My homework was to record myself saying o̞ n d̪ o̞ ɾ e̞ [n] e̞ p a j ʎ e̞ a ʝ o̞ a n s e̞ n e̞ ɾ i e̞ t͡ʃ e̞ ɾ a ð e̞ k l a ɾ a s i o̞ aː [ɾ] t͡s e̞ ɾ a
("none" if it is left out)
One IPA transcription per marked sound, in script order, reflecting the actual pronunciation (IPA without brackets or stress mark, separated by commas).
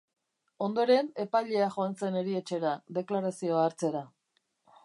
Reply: n, ɾ